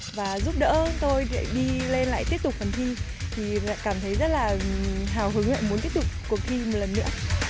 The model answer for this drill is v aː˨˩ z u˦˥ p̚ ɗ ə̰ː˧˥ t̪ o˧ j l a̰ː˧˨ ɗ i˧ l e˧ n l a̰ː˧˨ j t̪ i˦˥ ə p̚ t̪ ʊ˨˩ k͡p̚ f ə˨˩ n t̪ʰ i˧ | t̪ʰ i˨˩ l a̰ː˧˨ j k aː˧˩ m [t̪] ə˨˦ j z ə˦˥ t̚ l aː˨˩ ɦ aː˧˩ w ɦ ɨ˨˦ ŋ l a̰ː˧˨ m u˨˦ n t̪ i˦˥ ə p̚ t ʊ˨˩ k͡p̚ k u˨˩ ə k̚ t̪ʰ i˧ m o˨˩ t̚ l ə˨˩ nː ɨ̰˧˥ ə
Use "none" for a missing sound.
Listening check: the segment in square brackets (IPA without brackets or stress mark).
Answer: t̪ʰ